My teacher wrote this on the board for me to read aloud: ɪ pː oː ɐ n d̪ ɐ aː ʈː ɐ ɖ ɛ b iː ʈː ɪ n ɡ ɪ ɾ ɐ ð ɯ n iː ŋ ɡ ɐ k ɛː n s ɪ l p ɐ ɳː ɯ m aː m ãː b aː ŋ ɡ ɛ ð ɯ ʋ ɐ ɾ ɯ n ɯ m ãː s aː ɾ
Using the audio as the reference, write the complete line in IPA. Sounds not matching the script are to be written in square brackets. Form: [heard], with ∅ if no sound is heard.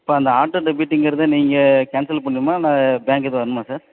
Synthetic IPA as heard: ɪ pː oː ɐ n d̪ ɐ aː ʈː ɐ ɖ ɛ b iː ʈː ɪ [ŋ] ɡ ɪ ɾ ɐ ð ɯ n iː ŋ ɡ ɐ k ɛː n s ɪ l p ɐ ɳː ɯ m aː [n] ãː b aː ŋ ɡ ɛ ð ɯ ʋ ɐ ɾ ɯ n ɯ m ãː s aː ɾ

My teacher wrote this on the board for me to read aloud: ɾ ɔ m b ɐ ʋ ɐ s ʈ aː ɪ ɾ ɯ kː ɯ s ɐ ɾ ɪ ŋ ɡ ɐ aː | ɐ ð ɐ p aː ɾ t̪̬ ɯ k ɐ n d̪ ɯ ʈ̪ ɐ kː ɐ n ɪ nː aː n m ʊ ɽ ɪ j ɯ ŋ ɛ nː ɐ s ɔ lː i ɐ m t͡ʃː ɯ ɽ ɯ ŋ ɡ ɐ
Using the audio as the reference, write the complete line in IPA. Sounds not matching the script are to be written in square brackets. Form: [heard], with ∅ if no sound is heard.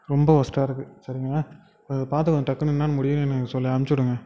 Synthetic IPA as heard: ɾ ɔ m b ɐ ʋ ɐ s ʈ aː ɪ ɾ ɯ kː ɯ s ɐ ɾ ɪ ŋ ɡ ɐ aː | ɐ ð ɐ p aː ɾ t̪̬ ɯ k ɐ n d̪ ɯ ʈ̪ ɐ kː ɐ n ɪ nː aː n m ʊ ɽ ɪ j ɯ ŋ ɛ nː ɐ s ɔ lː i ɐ m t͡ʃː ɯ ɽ ɯ ŋ ɡ ɐ

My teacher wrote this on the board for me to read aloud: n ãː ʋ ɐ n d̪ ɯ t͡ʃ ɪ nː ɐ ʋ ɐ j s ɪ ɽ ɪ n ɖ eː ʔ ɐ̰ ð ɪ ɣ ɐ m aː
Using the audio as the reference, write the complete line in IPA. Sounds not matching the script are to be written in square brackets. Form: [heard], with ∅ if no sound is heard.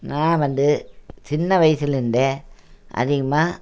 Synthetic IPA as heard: n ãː ʋ ɐ n d̪ ɯ t͡ʃ ɪ nː ɐ ʋ ɐ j s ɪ [l] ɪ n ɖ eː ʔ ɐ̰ ð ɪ ɣ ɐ m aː

